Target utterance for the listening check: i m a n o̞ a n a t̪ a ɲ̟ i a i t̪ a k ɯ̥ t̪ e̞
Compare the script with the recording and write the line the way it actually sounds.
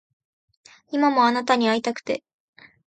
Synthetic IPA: i m a m o̞ a n a t̪ a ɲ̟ i a i t̪ a k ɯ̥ t̪ e̞